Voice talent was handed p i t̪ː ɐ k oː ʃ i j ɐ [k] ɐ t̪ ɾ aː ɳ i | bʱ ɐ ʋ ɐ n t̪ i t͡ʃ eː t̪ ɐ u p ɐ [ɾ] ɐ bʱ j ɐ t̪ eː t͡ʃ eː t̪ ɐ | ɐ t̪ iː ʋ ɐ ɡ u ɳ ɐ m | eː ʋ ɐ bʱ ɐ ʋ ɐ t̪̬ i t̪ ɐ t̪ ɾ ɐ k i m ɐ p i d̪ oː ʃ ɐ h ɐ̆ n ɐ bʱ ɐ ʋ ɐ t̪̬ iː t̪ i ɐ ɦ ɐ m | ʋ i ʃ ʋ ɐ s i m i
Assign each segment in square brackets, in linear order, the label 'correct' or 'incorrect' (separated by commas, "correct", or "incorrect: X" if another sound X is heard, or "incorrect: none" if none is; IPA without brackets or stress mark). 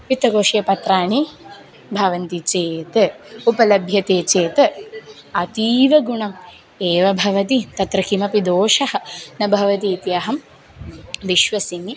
incorrect: p, incorrect: l